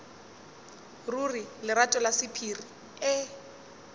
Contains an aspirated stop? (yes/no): yes